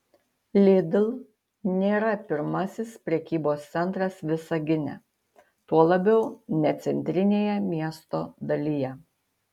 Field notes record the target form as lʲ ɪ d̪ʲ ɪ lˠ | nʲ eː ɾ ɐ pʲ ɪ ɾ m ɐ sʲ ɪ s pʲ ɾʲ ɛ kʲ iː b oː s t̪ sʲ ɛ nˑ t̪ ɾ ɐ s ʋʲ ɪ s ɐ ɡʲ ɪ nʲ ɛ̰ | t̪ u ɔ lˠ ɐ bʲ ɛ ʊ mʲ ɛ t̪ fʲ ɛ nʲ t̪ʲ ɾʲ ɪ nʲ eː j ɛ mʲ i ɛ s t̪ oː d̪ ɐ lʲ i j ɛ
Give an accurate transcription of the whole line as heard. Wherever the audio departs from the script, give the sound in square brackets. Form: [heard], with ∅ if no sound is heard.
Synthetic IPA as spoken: lʲ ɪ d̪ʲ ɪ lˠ | nʲ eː ɾ ɐ pʲ ɪ ɾ m ɐ sʲ ɪ s pʲ ɾʲ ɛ kʲ iː b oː s t̪ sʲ ɛ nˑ t̪ ɾ ɐ s ʋʲ ɪ s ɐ ɡʲ ɪ nʲ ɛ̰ | t̪ u ɔ lˠ ɐ bʲ ɛ ʊ [nʲ] ɛ t̪ [sʲ] ɛ nʲ t̪ʲ ɾʲ ɪ nʲ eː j ɛ mʲ i ɛ s t̪ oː d̪ ɐ lʲ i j ɛ